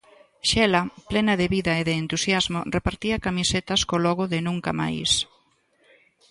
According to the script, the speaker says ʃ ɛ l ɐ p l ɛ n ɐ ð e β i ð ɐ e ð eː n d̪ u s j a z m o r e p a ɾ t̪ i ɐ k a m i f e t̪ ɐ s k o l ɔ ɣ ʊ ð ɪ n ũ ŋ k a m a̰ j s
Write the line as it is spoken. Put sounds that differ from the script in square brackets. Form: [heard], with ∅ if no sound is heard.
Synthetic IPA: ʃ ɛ l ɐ p l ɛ n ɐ ð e β i ð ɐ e ð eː n [t̪] u s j a z m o r e p a ɾ t̪ i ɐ k a m i [s] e t̪ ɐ s k o l ɔ ɣ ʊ ð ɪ n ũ ŋ k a m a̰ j s

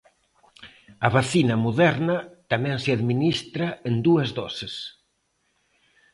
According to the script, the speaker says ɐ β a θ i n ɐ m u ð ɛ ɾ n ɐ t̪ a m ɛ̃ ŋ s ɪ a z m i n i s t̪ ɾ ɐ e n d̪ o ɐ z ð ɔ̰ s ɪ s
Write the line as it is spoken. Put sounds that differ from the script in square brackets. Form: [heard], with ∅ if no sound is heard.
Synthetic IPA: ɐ β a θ i n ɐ m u ð ɛ ɾ n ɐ t̪ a m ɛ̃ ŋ s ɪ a [ð] m i n i s t̪ ɾ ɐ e n d̪ [u] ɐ z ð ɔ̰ s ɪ s

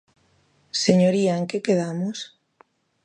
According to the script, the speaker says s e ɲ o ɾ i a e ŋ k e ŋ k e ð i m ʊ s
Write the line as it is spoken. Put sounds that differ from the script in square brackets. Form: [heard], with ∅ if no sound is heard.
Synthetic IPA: s e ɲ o ɾ i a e ŋ k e [∅] k e ð [a] m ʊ s

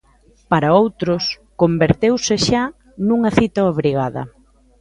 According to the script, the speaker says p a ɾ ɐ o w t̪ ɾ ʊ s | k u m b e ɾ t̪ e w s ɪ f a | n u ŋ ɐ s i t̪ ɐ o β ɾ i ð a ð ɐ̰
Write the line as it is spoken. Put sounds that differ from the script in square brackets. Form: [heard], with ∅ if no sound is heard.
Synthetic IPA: p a ɾ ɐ o w t̪ ɾ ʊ s | k [o] m b e ɾ t̪ e w s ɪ [ʃ] a | n u ŋ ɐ [θ] i t̪ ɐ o β ɾ i [ɣ] a ð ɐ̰

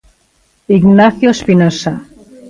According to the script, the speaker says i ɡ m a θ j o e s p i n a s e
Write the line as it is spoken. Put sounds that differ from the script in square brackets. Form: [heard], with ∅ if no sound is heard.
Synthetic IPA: i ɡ [n] a θ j o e s p i n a s [a]

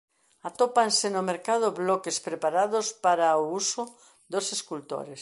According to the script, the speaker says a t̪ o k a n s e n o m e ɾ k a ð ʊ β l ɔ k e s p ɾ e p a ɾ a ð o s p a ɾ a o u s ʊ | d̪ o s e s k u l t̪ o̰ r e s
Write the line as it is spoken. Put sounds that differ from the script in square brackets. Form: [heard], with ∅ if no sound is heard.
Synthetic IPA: a t̪ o [p] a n s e n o m e ɾ k a ð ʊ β l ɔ k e s p ɾ e p a ɾ a ð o s p a ɾ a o u s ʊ | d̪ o s e s k u l t̪ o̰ [ɾ] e s

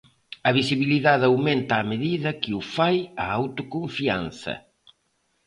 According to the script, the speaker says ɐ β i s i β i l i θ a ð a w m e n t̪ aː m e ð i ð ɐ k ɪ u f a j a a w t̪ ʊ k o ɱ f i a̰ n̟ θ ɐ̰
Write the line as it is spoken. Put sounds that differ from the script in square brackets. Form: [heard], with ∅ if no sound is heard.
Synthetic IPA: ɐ β i s i β i l i [ð] a ð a w m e n t̪ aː m e ð i ð ɐ k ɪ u f a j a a w t̪ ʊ k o ɱ f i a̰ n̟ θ ɐ̰

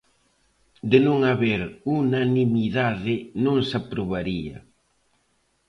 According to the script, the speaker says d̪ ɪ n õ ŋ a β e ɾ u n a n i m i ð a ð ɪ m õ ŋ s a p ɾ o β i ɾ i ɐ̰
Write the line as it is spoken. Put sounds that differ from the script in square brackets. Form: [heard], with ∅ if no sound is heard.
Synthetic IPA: d̪ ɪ n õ ŋ a β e ɾ u n a n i m i ð a ð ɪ [n] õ ŋ s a p ɾ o β [a] ɾ i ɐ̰

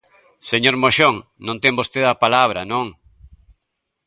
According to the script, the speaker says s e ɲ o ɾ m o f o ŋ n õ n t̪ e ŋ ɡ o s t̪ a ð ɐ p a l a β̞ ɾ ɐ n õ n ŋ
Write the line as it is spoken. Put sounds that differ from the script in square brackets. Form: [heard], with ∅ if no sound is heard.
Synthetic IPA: s e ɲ o ɾ m o [ʃ] o ŋ n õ n t̪ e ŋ [b] o s t̪ [e] ð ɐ p a l a β̞ ɾ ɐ n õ [∅] ŋ

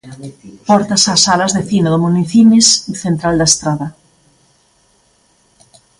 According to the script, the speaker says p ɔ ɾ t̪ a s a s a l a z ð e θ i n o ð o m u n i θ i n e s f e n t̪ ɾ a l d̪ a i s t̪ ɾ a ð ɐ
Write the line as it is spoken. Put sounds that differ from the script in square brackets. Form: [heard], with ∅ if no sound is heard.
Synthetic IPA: p ɔ ɾ t̪ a s a s a l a z ð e θ i n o ð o m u n i θ i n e s [θ] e n t̪ ɾ a l d̪ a [e] s t̪ ɾ a ð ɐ

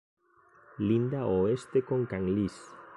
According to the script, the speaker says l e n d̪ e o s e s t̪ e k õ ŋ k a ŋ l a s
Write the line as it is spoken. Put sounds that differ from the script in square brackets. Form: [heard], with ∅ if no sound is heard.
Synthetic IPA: l [i] n d̪ [a] o [∅] e s t̪ e k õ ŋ k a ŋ l [i] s

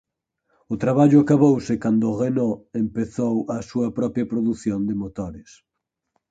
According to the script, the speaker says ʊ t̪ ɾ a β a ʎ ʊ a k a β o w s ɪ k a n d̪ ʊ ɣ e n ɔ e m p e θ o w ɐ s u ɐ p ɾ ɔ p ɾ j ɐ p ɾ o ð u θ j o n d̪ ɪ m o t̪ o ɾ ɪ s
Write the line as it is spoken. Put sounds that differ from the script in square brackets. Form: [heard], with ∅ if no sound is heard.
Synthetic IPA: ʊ t̪ ɾ a β a ʎ ʊ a k a β o w s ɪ k a n d̪ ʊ ɣ e n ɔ e m p e θ o w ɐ s u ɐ p ɾ ɔ p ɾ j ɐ p ɾ o ð u θ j o n d̪ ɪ m o t̪ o ɾ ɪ s

